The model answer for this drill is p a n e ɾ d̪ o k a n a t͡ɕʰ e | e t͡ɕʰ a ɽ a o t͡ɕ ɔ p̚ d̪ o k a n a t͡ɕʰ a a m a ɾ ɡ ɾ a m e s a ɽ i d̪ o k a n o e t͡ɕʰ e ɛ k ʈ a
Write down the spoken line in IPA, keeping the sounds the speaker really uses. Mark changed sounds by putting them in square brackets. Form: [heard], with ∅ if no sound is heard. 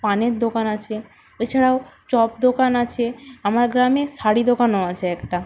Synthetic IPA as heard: p a n e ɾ d̪ o k a n a t͡ɕʰ e | e t͡ɕʰ a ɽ a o t͡ɕ ɔ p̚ d̪ o k a n a t͡ɕʰ [e] a m a ɾ ɡ ɾ a m e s a ɽ i d̪ o k a n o [a] t͡ɕʰ e ɛ k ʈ a